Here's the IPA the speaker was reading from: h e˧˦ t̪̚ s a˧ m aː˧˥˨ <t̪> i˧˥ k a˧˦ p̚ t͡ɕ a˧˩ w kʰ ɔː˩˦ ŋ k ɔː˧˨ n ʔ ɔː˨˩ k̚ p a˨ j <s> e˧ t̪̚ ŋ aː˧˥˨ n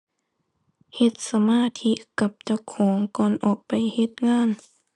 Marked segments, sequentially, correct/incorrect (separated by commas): incorrect, incorrect